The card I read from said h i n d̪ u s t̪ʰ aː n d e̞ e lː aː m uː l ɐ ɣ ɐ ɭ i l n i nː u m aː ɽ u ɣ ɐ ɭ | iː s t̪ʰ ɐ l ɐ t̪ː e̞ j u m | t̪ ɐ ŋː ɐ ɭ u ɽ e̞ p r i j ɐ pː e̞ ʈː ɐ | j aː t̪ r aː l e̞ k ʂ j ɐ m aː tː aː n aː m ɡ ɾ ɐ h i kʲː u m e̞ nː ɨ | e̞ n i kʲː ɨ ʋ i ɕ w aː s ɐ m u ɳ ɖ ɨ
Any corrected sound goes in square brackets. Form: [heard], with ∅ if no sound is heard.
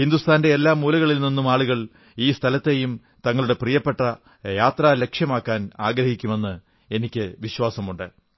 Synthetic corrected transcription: h i n d̪ u s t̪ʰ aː n d e̞ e lː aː m uː l ɐ ɣ ɐ ɭ i l n i nː u m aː [ɭ] u ɣ ɐ ɭ | iː s t̪ʰ ɐ l ɐ t̪ː e̞ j u m | t̪ ɐ ŋː ɐ ɭ u ɽ e̞ p r i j ɐ pː e̞ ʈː ɐ | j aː t̪ r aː l e̞ k ʂ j ɐ m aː [kː] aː n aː [∅] ɡ ɾ ɐ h i kʲː u m e̞ nː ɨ | e̞ n i kʲː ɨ ʋ i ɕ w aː s ɐ m u ɳ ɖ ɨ